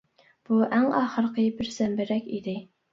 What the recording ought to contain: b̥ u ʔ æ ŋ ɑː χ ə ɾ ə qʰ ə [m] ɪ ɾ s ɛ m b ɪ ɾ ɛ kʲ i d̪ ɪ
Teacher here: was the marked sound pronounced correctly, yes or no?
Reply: no